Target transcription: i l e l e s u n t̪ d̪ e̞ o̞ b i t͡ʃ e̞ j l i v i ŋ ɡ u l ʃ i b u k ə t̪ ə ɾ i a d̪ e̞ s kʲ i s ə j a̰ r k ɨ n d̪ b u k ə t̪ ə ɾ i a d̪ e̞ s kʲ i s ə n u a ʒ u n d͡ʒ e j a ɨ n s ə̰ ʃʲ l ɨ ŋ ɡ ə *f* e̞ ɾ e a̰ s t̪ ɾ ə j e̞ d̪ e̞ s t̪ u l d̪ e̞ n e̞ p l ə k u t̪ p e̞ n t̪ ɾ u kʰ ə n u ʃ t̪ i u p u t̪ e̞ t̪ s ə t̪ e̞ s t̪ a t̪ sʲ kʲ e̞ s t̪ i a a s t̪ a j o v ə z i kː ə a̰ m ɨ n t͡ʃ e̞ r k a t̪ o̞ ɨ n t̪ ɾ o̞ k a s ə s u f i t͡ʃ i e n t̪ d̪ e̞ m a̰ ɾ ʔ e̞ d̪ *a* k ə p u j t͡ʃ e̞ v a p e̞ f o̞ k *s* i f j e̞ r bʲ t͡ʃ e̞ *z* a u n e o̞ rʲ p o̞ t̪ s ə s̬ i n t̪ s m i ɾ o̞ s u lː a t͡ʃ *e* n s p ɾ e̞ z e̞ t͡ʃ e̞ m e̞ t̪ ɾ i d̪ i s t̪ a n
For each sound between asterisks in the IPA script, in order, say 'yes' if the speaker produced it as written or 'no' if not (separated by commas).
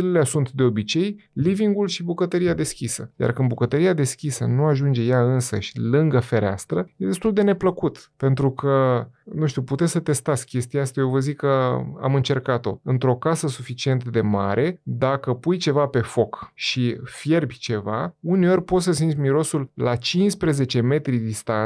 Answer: yes, yes, no, no, no